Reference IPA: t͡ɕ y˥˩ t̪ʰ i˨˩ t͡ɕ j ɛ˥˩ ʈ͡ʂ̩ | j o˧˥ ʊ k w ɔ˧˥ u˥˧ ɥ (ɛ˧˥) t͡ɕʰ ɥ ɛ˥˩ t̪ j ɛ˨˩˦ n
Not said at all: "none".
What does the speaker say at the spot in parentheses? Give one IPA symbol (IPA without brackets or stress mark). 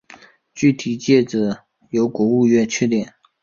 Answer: ɛ˥˧